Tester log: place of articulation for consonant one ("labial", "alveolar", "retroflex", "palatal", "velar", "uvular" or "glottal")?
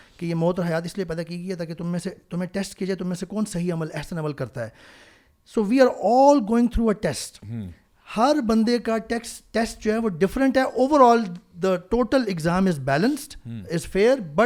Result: velar